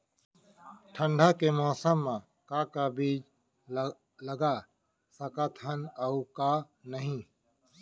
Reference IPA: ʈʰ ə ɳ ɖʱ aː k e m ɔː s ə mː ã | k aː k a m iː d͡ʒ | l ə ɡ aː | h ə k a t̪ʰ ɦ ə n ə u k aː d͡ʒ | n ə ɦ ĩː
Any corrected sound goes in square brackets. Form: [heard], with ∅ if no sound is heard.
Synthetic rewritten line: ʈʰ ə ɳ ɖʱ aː k e m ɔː s ə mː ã | k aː k a [b] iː d͡ʒ | l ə ɡ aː | [s] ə k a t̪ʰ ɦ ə n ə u k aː [∅] | n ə ɦ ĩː

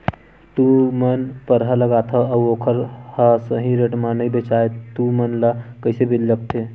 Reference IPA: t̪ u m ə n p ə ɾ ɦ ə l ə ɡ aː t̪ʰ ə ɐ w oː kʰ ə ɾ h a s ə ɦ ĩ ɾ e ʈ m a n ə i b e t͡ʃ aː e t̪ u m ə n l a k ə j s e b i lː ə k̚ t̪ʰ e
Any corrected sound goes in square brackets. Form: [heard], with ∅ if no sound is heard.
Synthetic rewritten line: t̪ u m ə n p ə ɾ ɦ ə l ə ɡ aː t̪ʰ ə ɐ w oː kʰ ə ɾ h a s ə ɦ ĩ ɾ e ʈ m a n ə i b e t͡ʃ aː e t̪ u m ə n l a k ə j s e b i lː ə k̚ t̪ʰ e

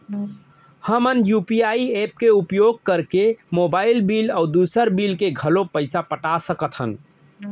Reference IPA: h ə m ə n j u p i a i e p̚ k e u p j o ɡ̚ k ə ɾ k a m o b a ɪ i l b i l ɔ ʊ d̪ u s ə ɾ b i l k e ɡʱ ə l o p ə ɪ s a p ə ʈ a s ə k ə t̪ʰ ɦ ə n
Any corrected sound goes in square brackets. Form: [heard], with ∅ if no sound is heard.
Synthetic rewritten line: h ə m ə n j u p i a i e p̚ k e u p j o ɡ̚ k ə ɾ k [e] m o b a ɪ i l b i l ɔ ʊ d̪ u s ə ɾ b i l k e ɡʱ ə l o p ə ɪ s a p ə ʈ a s ə k ə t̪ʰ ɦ ə n

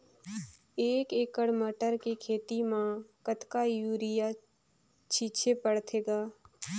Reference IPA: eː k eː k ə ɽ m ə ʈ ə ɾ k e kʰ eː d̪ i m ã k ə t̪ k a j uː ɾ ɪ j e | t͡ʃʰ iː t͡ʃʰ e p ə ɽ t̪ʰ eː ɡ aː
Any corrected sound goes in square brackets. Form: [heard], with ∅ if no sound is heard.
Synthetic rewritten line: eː k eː k ə ɽ m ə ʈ ə ɾ k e kʰ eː [t̪] i m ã k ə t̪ k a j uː ɾ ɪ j [a] | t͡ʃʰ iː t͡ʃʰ e p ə ɽ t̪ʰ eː ɡ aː

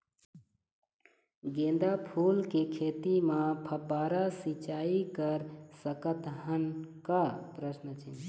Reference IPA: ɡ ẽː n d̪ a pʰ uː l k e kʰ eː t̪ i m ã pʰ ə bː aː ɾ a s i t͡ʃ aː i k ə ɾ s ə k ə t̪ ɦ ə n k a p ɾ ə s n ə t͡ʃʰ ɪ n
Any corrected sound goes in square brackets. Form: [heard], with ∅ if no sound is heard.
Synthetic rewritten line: ɡ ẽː n d̪ a pʰ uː l k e kʰ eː t̪ i m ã pʰ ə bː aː ɾ a s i t͡ʃ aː i k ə ɾ s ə k ə t̪ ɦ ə n k a p ɾ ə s n ə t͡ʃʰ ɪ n

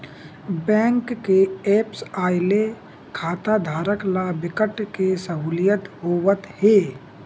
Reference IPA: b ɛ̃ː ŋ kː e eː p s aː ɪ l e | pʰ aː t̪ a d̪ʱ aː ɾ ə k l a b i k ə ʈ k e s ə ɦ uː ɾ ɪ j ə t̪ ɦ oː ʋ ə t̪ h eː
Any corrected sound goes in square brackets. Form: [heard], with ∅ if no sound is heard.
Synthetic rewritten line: b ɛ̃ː ŋ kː e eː p s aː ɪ l e | [kʰ] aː t̪ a d̪ʱ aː ɾ ə k l a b [ɪ] k ə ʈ k e s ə ɦ uː [l] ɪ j ə t̪ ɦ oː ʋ ə t̪ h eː

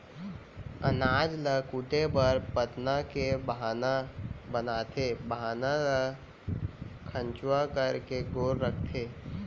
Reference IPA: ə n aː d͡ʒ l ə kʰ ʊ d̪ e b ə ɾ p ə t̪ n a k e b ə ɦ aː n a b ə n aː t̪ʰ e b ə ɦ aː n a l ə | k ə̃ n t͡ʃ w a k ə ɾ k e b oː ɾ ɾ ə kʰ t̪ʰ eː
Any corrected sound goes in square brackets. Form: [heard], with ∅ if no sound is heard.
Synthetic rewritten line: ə n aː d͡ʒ l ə [k] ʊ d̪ e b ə ɾ p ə t̪ n a k e b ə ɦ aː n a b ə n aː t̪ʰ e b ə ɦ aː n a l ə | [kʰ] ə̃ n t͡ʃ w a k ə ɾ k e [ɡ] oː ɾ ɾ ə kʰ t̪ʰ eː

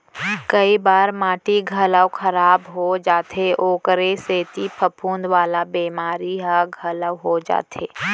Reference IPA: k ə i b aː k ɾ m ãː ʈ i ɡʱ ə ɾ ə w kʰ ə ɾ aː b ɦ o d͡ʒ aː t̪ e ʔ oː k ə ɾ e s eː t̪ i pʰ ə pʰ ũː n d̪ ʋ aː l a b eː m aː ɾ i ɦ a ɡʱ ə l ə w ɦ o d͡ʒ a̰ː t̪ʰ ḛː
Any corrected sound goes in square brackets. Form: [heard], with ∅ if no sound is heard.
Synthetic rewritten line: k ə i b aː [∅] ɾ m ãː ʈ i ɡʱ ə [l] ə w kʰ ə ɾ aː b ɦ o d͡ʒ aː t̪ e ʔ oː k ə ɾ e s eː t̪ i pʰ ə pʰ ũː n d̪ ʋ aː l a b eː m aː ɾ i ɦ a ɡʱ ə l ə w ɦ o d͡ʒ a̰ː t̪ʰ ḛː

